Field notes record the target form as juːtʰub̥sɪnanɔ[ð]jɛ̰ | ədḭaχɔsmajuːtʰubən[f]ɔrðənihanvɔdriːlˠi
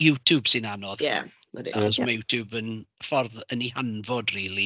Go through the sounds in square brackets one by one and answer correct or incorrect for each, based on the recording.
correct, correct

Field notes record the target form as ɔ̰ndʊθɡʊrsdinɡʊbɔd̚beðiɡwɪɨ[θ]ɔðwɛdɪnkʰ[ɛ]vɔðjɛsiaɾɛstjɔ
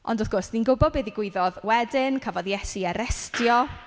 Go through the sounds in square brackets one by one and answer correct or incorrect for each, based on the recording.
incorrect, incorrect

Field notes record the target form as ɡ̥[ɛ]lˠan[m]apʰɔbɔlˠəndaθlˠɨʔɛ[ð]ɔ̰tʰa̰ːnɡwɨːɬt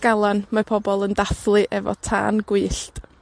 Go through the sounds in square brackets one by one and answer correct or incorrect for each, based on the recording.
incorrect, correct, incorrect

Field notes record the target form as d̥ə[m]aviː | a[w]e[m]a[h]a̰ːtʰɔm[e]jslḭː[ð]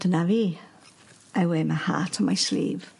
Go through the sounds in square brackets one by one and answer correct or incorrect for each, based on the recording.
incorrect, correct, correct, correct, incorrect, incorrect

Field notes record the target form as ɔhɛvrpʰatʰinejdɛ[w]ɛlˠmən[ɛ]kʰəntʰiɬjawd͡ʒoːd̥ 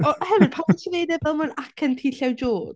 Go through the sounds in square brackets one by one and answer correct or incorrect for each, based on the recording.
incorrect, incorrect

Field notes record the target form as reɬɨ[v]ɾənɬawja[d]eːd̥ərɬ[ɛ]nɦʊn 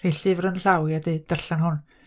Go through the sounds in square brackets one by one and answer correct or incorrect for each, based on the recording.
correct, correct, incorrect

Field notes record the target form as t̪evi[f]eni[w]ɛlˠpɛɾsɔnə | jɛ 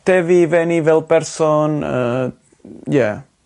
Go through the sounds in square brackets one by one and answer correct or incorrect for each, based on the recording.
incorrect, incorrect

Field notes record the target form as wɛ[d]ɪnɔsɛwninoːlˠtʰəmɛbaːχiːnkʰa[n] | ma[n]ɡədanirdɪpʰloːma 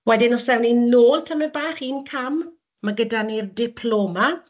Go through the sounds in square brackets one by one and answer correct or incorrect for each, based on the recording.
correct, incorrect, incorrect

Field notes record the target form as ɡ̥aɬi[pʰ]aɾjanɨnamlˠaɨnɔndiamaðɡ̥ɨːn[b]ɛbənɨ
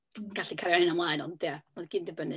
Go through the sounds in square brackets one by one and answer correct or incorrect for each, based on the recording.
incorrect, incorrect

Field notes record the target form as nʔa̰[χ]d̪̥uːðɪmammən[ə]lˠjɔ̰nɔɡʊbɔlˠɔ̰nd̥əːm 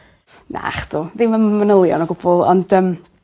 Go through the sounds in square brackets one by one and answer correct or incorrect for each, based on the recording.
correct, correct

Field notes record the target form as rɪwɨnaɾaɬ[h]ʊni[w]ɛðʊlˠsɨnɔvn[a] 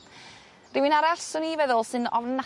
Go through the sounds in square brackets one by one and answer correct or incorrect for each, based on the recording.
incorrect, incorrect, correct

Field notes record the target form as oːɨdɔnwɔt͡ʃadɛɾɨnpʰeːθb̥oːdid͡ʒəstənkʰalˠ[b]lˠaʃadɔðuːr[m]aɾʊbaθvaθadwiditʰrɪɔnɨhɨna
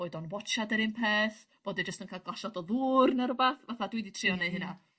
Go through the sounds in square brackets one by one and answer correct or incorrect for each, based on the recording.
incorrect, incorrect

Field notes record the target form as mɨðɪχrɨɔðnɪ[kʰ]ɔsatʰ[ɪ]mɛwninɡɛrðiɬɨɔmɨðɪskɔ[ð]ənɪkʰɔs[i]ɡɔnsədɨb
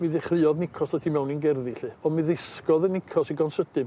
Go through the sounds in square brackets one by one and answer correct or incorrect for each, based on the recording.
correct, incorrect, correct, correct

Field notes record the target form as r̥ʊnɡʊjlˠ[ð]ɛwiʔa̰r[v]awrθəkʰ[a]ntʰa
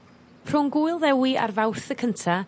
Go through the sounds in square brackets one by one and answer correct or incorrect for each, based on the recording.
correct, correct, incorrect

